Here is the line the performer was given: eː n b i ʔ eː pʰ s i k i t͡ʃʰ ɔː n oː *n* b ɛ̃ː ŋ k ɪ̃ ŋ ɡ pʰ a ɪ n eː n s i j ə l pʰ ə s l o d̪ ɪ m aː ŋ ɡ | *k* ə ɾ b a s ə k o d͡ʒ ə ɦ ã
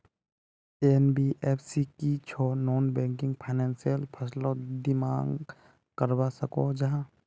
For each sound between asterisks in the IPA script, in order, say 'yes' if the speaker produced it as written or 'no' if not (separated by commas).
yes, yes